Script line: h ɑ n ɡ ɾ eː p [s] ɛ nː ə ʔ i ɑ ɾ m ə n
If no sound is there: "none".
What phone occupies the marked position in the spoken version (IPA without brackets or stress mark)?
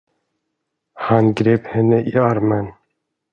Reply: h